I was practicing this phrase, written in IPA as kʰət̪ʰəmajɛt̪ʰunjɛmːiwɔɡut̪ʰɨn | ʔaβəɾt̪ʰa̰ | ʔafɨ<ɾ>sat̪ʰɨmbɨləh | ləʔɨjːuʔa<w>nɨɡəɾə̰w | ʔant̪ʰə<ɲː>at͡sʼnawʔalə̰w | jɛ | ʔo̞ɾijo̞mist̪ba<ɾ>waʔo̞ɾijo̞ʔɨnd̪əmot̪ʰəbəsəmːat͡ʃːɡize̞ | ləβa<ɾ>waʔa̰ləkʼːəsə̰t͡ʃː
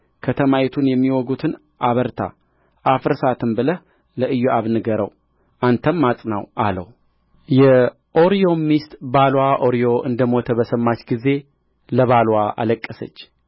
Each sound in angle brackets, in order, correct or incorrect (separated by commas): correct, incorrect, incorrect, incorrect, incorrect